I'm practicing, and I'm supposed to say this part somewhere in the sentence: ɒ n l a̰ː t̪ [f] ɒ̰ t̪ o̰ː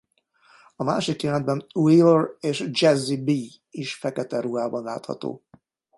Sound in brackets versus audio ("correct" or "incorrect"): incorrect